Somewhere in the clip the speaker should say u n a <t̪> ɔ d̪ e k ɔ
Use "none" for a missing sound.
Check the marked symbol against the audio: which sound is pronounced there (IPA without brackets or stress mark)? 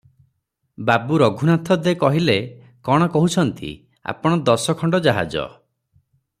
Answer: t̪ʰ